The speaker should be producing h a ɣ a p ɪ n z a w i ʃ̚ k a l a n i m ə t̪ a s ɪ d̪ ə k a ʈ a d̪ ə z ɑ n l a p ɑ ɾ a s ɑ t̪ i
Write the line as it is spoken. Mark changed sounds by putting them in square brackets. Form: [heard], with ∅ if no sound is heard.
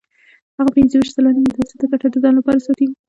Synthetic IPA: h a ɣ a p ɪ n z [ə] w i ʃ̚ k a l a n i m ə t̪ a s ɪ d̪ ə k a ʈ a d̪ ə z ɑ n l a p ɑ ɾ a s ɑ t̪ i